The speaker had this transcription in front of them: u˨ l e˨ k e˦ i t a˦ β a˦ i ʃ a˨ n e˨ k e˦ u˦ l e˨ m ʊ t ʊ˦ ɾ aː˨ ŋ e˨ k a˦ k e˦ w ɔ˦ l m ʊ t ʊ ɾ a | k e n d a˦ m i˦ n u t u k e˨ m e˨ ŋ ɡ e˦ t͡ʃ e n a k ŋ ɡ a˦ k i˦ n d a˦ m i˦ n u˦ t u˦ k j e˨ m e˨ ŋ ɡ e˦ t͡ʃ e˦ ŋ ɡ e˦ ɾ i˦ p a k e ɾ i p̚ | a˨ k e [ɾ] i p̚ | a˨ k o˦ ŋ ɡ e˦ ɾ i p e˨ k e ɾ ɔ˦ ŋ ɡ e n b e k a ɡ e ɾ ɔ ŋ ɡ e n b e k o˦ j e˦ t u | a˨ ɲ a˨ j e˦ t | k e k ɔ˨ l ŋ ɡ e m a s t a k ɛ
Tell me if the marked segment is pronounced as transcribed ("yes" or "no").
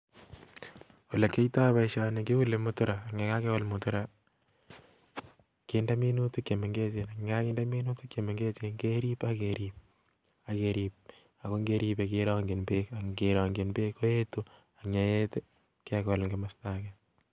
yes